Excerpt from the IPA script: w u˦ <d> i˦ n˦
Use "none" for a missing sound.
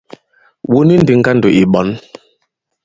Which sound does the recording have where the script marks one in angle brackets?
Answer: n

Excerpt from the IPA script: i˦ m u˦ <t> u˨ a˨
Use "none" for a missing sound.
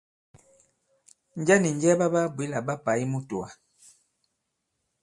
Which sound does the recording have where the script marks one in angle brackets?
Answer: t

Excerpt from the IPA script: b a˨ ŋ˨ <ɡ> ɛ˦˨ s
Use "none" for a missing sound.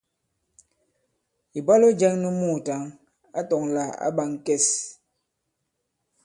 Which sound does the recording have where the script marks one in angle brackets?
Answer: k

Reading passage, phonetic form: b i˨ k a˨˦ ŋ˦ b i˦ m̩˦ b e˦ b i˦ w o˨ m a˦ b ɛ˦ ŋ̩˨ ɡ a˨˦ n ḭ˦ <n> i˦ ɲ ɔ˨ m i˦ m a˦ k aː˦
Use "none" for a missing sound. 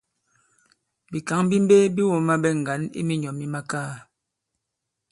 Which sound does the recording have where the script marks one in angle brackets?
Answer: m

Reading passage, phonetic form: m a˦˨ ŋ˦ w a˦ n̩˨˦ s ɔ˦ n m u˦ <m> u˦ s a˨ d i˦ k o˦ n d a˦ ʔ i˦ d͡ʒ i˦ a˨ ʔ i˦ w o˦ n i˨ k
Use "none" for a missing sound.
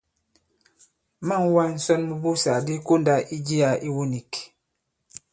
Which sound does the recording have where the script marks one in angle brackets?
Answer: b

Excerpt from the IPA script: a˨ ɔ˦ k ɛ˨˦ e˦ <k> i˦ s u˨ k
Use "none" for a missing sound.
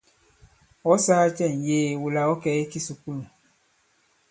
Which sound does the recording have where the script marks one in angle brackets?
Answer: k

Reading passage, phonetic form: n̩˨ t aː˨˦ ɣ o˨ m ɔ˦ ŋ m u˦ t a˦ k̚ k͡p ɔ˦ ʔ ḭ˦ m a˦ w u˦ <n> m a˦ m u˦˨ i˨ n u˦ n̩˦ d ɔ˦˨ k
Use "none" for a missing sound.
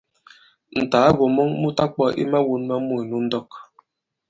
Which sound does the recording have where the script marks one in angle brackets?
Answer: n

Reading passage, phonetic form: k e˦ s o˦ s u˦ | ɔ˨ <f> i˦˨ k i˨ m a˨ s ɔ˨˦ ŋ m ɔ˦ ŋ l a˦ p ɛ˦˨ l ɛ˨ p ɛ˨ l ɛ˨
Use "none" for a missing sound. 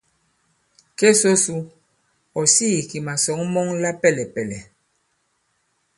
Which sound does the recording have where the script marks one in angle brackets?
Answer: s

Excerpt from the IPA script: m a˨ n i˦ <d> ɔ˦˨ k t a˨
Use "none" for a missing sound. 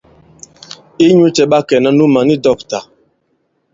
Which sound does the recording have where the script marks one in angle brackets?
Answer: d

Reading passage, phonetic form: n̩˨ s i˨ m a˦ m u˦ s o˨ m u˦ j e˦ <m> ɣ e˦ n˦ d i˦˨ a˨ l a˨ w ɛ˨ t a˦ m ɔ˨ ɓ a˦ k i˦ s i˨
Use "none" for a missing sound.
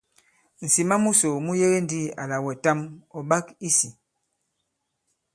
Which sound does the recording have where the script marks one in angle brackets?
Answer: none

